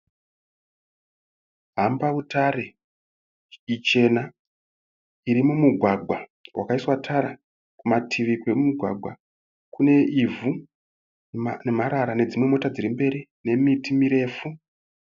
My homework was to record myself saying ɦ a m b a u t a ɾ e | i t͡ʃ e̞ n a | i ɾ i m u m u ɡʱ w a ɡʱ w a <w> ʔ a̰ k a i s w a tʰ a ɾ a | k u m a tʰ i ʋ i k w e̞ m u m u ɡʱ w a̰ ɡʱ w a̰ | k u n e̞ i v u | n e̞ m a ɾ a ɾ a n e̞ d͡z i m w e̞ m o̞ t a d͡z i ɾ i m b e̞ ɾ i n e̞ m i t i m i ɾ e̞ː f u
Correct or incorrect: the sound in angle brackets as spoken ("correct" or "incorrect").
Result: correct